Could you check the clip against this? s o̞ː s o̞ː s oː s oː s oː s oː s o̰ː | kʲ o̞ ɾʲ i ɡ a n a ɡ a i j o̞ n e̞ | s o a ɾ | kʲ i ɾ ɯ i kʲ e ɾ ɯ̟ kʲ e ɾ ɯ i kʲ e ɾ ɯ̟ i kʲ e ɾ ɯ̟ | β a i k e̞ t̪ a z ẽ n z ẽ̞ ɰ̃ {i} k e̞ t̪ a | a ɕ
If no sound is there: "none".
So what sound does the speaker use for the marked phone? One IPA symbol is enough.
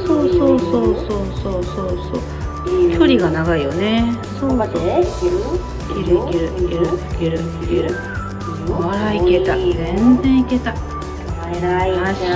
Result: i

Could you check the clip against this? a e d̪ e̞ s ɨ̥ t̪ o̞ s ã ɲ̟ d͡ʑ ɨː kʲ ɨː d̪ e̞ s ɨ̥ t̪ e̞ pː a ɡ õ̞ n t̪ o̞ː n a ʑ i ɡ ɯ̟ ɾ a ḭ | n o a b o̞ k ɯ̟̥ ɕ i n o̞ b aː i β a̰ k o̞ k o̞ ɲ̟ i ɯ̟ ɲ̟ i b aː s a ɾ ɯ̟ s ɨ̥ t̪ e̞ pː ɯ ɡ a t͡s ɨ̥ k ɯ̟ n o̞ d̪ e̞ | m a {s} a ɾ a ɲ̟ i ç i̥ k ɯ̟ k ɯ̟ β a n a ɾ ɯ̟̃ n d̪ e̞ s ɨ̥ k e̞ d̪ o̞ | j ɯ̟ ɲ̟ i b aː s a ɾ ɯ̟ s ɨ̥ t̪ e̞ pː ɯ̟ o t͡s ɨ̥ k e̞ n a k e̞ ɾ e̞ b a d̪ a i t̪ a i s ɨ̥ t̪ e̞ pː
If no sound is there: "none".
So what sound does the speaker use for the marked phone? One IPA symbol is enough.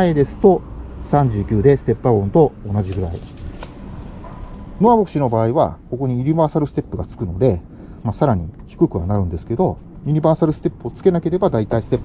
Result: s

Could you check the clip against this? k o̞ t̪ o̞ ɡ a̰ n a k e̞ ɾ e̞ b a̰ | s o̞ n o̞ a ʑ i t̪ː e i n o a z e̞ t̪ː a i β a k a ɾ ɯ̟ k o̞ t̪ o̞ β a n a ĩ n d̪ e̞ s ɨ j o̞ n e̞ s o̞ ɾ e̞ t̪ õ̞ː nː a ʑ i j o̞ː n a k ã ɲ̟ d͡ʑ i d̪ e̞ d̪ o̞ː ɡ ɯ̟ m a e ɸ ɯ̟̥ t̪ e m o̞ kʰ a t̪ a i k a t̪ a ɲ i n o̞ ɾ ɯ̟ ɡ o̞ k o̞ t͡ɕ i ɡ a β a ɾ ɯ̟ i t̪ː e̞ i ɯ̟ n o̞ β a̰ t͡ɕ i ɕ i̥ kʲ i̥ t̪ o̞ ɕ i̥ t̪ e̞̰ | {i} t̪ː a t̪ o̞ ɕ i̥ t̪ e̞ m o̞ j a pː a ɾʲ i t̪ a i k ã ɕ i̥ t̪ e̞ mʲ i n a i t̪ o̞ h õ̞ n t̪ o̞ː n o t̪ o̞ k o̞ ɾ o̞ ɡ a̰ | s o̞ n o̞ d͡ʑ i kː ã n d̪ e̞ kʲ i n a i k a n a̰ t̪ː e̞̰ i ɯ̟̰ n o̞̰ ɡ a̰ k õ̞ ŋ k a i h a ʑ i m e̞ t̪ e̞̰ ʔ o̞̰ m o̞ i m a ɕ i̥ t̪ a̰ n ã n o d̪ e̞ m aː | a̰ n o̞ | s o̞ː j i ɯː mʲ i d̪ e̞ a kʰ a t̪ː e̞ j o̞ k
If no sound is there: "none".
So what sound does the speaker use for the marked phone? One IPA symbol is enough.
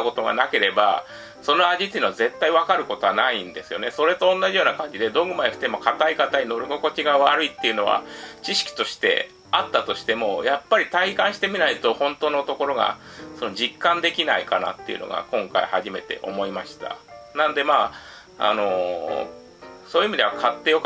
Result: a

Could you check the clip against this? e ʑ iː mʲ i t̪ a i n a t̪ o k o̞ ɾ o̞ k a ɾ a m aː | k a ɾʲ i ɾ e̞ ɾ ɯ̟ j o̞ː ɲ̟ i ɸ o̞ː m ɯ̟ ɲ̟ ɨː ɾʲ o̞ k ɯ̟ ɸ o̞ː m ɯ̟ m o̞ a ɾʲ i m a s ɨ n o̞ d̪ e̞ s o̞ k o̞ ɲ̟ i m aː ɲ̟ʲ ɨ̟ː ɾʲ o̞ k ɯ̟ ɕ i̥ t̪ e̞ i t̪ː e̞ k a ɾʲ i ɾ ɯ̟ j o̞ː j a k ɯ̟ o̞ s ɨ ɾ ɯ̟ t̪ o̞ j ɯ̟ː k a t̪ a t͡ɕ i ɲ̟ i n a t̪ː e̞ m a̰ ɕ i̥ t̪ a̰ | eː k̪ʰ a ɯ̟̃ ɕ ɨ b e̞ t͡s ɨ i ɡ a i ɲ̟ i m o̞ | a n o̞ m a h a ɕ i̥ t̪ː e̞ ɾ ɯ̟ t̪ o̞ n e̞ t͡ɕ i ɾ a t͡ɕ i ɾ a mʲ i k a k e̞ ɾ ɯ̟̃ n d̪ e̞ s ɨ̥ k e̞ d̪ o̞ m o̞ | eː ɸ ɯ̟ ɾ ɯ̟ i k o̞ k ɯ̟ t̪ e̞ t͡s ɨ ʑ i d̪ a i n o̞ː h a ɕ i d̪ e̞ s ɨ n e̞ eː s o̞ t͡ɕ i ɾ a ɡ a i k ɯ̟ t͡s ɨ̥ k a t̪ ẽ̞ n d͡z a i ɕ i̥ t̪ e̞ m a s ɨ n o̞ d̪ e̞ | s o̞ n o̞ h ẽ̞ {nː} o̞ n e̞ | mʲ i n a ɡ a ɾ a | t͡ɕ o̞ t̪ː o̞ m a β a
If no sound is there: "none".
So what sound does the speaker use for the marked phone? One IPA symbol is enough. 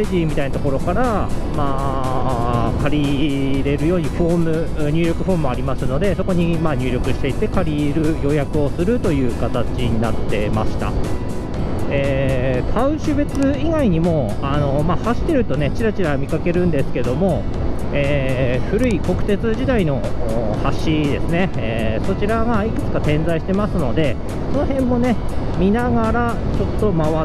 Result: mː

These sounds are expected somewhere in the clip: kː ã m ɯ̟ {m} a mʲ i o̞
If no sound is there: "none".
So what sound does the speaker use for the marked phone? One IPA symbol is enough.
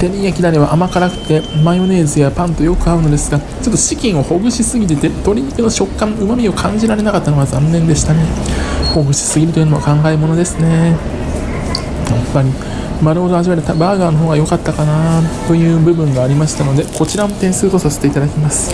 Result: m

